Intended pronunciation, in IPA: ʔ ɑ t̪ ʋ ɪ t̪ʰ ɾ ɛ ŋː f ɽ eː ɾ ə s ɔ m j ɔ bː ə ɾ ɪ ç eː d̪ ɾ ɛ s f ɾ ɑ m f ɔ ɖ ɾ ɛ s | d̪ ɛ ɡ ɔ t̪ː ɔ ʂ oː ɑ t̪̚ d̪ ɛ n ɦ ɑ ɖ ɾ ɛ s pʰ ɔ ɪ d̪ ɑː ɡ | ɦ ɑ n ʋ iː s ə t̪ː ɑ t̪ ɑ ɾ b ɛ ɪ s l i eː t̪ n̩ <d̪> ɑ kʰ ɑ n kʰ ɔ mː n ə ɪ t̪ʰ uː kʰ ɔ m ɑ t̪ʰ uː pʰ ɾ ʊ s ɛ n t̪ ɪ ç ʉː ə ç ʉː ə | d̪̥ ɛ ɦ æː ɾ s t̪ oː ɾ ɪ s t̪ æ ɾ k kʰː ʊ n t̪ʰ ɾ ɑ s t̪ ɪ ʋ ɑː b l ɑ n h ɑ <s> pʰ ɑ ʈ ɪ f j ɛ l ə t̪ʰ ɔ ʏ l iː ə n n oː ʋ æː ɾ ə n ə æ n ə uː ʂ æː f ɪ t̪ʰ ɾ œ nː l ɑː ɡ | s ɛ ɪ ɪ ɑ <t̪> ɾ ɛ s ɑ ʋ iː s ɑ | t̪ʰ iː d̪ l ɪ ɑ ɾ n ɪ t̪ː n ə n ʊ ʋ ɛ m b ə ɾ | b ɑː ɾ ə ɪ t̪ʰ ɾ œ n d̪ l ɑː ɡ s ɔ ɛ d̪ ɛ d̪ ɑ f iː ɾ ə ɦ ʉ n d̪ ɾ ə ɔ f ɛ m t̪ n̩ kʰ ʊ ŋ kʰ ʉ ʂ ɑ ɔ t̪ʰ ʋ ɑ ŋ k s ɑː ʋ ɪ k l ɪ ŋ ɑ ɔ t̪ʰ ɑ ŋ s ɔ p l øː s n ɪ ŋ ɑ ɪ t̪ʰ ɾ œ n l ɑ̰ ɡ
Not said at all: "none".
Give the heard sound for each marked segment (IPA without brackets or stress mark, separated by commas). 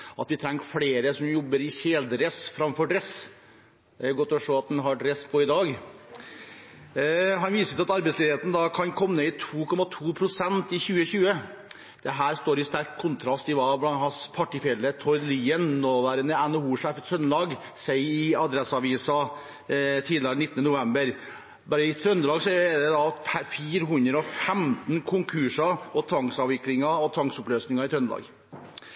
d̪, s, d̪